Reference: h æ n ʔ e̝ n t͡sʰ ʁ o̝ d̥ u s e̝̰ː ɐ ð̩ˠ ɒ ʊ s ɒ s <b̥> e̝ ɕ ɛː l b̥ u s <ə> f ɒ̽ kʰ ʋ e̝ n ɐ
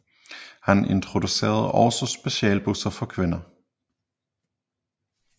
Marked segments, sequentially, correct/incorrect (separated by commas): correct, incorrect